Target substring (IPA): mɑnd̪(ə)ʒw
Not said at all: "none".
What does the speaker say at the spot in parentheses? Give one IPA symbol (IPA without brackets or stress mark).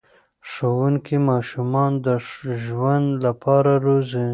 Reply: ə